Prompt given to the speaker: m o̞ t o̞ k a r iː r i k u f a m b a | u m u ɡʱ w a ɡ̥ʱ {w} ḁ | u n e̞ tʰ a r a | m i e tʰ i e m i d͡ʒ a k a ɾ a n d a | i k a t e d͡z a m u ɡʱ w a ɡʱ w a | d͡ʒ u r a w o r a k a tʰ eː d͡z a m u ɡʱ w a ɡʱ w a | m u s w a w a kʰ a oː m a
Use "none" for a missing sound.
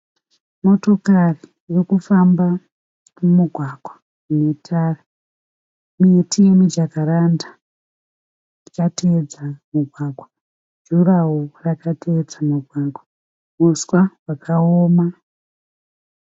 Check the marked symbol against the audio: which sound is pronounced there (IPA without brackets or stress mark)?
w